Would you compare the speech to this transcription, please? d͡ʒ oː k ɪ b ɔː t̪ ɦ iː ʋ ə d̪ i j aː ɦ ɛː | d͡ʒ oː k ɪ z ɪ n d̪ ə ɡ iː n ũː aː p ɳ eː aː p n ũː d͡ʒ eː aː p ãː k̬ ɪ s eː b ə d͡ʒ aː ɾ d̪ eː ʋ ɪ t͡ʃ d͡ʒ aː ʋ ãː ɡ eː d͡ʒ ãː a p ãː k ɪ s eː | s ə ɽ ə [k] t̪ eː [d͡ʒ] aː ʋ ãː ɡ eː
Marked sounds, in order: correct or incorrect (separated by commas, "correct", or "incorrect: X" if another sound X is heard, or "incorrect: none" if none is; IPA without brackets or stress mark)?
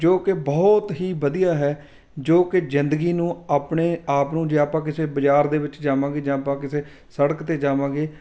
correct, correct